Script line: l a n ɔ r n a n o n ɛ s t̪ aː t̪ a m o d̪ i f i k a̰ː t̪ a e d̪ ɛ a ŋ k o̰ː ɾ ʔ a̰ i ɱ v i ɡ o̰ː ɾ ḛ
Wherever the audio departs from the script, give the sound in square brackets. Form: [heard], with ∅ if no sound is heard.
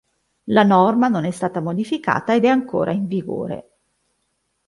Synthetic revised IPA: l a n ɔ r [m] a n o n ɛ s t̪ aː t̪ a m o d̪ i f i k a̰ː t̪ a e d̪ ɛ a ŋ k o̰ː ɾ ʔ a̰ i ɱ v i ɡ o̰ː ɾ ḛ